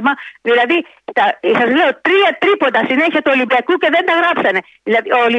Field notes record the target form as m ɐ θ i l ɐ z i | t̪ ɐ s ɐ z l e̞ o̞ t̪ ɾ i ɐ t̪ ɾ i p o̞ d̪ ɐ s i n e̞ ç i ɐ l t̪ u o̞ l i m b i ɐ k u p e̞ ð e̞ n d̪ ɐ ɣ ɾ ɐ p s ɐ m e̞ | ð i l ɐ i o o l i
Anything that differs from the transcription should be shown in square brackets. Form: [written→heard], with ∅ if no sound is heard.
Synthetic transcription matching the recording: m ɐ [θ→ð] i l ɐ [z→ð] i | t̪ ɐ s ɐ z l e̞ o̞ t̪ ɾ i ɐ t̪ ɾ i p o̞ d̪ ɐ s i n e̞ ç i ɐ [l→∅] t̪ u o̞ l i m b i ɐ k u [p→c] e̞ ð e̞ n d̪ ɐ ɣ ɾ ɐ p s ɐ [m→n] e̞ | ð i l ɐ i o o l i